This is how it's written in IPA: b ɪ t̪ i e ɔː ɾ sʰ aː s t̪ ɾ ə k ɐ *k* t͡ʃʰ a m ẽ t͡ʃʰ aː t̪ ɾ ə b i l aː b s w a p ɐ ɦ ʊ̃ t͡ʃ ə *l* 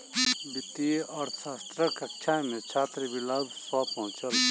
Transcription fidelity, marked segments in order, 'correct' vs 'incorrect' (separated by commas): correct, correct